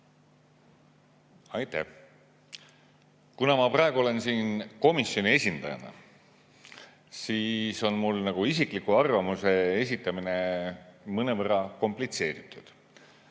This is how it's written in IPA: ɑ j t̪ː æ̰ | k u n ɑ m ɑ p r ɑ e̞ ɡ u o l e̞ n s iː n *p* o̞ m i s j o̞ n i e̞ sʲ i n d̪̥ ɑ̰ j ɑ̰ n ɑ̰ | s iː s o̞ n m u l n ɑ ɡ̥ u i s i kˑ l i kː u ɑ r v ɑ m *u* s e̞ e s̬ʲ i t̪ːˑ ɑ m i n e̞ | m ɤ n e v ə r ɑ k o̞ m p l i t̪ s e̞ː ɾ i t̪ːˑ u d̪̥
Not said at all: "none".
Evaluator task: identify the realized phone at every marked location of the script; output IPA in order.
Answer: k, u

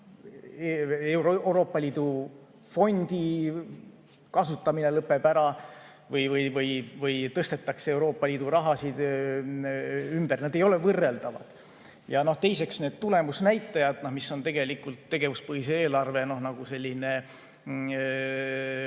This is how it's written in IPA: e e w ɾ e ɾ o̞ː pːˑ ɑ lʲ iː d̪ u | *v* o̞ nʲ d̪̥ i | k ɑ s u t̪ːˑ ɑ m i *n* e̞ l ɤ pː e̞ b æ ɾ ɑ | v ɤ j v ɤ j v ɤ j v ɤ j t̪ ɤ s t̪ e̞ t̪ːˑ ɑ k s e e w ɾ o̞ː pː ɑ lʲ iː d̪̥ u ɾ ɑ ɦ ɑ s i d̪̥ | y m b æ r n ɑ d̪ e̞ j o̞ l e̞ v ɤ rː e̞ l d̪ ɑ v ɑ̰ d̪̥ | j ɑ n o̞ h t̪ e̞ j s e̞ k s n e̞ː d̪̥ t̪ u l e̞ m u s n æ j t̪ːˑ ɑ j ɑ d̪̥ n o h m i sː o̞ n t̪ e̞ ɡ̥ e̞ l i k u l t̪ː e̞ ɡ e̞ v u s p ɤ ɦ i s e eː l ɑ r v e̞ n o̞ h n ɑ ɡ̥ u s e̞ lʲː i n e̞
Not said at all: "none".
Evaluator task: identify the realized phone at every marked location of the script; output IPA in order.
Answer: f, n

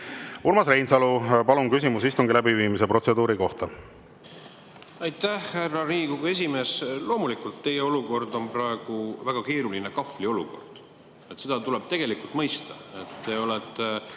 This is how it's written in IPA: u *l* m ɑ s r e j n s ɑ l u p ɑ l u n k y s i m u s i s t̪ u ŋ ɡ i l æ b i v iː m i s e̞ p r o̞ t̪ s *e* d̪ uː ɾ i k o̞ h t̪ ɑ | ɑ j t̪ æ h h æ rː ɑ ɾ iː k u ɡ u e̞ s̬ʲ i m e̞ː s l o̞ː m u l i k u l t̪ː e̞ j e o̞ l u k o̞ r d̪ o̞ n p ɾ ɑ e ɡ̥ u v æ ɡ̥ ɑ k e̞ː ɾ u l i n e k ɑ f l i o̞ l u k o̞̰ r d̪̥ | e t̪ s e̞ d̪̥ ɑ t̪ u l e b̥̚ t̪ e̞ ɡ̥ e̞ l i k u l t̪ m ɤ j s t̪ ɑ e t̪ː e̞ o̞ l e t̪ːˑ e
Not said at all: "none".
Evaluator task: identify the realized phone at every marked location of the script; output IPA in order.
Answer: l, e

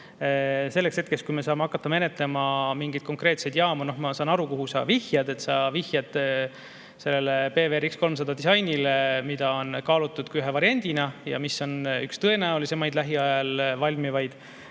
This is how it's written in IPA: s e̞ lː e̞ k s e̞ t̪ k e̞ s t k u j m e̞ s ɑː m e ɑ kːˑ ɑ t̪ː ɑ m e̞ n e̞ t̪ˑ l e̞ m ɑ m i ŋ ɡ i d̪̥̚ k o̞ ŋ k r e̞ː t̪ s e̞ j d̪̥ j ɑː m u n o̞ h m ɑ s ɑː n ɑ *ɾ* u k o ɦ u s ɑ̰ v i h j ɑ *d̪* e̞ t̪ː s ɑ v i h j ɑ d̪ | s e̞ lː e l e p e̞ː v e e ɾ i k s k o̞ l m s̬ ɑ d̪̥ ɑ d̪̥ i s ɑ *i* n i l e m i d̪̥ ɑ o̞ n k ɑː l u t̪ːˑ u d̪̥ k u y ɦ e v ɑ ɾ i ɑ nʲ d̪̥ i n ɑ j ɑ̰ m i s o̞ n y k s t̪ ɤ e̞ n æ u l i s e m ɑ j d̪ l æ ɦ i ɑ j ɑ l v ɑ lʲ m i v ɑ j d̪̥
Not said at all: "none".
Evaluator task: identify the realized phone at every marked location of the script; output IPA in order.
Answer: ɾ, d̪, j

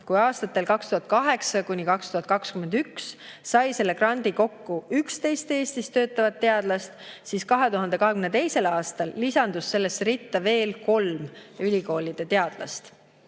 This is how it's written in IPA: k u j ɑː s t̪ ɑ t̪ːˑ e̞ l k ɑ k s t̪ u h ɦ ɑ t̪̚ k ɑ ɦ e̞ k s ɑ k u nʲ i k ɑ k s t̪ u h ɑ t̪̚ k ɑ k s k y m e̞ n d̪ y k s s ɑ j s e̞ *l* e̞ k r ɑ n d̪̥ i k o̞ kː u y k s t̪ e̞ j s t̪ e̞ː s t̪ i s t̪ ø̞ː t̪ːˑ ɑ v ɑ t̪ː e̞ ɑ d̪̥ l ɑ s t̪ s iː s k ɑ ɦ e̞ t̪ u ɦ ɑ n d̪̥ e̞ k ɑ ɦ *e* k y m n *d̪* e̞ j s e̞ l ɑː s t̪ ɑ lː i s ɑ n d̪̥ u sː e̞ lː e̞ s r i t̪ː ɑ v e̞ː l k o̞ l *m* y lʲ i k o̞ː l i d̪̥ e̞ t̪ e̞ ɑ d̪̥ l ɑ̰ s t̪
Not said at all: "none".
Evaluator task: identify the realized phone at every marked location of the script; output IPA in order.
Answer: lː, e, t̪, m

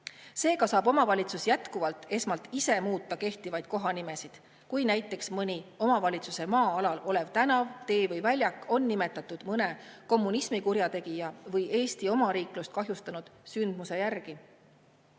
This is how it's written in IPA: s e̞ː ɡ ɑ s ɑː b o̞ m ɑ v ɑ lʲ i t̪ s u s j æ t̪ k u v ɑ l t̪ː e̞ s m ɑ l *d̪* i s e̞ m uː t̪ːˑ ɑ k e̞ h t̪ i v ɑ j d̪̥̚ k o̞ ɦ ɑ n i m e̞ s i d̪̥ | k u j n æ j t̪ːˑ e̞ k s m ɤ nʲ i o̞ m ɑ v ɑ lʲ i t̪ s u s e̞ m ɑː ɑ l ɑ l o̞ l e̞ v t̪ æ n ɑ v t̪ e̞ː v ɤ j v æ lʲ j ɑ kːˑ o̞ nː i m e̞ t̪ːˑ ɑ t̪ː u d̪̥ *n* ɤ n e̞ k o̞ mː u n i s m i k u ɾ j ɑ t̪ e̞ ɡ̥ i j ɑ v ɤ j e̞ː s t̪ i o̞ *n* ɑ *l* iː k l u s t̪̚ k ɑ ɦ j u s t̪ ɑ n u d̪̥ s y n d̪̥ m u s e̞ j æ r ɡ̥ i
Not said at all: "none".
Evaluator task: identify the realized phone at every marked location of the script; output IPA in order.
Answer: t̪, m, m, ɾ

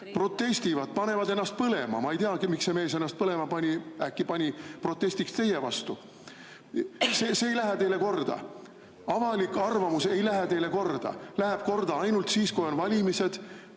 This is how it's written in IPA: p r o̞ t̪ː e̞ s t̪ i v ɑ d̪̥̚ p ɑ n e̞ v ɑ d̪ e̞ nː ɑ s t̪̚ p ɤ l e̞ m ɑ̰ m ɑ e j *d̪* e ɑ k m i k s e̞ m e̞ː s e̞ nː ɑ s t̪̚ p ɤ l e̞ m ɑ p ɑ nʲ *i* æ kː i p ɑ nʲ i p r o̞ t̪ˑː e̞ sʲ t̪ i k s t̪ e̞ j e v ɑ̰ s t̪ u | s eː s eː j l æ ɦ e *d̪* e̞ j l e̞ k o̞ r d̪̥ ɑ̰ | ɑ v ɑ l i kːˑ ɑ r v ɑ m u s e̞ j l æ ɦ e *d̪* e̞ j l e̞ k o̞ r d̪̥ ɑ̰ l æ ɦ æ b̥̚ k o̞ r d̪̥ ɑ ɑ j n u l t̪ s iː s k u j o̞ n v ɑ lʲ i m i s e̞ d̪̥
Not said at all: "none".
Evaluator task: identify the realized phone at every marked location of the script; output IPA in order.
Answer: t̪, i, t̪, t̪

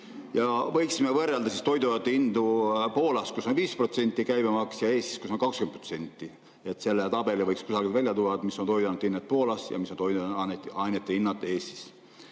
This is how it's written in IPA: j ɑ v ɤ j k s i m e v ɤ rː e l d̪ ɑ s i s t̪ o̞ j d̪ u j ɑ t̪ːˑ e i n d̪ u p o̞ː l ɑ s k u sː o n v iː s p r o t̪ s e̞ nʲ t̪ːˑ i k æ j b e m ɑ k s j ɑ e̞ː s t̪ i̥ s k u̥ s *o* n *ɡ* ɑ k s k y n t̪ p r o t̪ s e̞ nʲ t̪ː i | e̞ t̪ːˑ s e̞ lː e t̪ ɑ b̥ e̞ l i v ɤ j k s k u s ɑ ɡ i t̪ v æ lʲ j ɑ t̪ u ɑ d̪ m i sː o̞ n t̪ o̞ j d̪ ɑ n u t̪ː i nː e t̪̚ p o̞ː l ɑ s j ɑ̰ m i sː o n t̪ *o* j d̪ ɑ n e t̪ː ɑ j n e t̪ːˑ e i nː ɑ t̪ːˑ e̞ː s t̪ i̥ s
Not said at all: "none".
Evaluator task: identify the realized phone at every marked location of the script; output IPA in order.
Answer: o, k, o

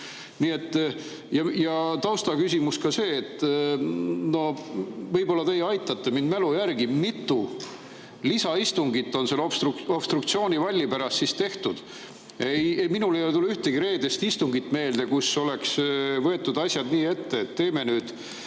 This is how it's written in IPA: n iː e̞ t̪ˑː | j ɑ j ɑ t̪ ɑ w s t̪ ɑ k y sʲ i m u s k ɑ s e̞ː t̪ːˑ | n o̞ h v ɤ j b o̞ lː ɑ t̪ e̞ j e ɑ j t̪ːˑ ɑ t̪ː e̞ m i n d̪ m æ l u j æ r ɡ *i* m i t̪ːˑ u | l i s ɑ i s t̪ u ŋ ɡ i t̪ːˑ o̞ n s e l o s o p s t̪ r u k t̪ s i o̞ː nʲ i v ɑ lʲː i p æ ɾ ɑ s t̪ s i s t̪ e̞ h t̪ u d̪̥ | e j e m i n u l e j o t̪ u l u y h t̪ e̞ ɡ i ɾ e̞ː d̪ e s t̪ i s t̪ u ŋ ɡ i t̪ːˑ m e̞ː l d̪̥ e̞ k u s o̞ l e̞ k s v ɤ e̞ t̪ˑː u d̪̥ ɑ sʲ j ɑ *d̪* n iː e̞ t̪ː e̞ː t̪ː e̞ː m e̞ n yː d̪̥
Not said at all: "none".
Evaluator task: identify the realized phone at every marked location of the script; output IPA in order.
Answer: i, d̪

